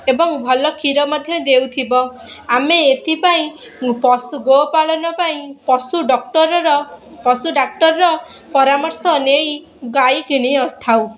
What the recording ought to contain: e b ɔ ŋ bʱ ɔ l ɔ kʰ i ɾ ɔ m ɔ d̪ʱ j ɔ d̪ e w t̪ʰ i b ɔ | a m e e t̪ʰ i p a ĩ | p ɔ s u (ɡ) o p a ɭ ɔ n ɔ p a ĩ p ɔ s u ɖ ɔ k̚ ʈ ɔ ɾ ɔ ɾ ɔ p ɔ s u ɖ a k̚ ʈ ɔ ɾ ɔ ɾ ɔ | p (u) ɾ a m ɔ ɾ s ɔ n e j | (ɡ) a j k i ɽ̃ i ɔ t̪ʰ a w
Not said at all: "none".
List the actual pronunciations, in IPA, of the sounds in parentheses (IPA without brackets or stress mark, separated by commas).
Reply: ɡ, ɔ, ɡ